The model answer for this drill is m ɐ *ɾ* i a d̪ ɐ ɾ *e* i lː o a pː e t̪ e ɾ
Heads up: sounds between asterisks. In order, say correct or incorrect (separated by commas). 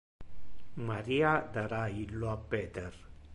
correct, incorrect